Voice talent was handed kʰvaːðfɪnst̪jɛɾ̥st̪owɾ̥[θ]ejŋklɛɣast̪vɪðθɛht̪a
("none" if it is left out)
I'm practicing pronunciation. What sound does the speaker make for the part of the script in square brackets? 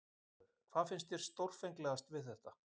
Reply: f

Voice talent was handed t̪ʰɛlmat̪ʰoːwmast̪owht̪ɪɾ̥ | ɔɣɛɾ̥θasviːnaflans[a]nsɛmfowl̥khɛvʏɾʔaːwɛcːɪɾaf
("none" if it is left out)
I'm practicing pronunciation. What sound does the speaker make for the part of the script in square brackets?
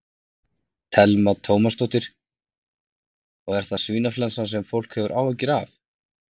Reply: a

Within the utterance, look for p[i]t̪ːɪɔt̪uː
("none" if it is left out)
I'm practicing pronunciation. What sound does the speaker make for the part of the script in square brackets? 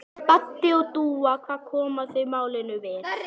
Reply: a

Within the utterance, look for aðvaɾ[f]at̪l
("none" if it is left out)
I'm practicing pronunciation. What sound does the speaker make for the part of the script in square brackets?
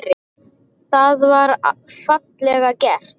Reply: f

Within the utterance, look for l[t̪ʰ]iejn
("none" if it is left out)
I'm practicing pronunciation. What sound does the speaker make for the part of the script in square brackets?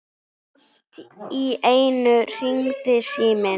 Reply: t̪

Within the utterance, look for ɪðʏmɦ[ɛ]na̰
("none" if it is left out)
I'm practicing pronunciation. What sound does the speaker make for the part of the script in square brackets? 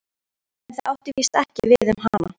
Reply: a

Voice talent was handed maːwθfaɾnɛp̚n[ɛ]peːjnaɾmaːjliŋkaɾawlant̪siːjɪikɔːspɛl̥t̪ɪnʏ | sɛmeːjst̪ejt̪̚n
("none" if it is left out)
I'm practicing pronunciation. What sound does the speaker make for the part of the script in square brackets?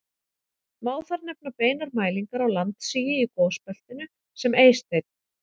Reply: a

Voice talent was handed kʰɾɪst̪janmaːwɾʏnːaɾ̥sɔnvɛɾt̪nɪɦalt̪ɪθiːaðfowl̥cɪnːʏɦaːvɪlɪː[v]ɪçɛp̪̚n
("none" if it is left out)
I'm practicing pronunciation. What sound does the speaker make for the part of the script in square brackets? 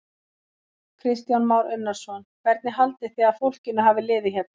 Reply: ð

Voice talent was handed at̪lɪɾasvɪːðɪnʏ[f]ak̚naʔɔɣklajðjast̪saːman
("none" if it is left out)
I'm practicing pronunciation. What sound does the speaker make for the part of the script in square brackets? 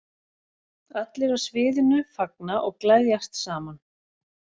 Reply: f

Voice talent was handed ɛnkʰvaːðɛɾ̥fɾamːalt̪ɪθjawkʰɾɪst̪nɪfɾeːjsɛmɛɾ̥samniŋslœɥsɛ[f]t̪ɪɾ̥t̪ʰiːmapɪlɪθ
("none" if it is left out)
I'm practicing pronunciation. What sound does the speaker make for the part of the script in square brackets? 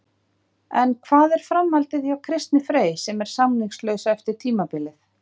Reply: f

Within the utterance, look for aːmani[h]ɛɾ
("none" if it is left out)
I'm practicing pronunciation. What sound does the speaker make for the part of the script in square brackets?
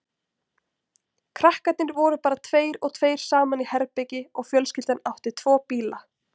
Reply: h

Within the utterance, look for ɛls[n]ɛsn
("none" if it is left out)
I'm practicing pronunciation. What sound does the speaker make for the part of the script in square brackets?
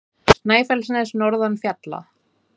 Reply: n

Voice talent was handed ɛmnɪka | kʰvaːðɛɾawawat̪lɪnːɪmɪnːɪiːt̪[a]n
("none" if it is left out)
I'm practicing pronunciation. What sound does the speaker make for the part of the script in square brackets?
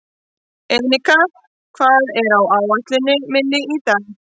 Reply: a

